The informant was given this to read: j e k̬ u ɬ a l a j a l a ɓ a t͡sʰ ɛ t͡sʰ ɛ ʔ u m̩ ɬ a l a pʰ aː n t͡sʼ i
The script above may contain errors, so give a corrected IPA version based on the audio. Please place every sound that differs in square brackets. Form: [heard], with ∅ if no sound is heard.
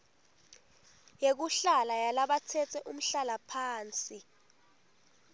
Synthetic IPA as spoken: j e k̬ u ɬ a l a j a l a ɓ a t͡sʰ ɛ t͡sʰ ɛ ʔ u m̩ ɬ a l a pʰ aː n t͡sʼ i